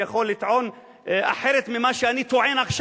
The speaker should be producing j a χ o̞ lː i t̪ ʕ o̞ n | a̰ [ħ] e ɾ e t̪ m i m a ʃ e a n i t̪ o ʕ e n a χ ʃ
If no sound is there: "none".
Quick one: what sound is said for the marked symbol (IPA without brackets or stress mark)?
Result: ħ